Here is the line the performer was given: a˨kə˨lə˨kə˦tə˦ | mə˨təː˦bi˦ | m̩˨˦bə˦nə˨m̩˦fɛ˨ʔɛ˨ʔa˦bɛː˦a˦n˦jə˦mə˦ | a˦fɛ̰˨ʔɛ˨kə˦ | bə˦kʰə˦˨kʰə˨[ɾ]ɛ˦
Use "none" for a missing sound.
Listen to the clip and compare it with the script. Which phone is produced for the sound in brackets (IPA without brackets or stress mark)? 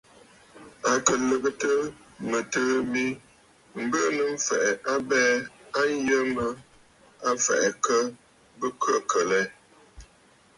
l